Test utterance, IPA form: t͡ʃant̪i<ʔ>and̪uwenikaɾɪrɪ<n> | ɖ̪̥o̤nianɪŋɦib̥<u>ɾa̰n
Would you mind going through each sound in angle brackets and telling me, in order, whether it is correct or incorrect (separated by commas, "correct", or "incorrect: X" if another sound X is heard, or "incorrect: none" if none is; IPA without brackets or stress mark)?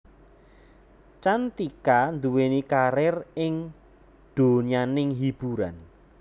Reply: incorrect: k, incorrect: ŋ, correct